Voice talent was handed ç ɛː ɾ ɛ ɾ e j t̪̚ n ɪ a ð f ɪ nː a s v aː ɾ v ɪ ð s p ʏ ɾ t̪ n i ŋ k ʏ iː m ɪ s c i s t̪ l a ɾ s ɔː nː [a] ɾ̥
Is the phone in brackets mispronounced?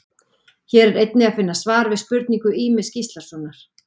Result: no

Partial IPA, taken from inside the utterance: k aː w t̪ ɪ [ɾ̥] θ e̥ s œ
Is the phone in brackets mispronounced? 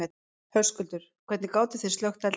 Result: yes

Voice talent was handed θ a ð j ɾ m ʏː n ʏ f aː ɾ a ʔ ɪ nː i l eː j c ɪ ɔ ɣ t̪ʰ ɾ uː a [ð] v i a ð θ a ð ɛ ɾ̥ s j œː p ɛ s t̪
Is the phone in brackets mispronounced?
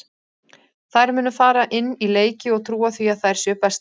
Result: yes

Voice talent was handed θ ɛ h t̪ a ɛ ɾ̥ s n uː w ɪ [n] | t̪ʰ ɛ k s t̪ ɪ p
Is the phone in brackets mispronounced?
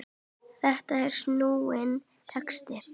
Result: no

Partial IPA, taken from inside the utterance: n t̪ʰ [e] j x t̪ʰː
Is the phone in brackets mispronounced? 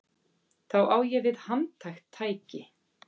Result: yes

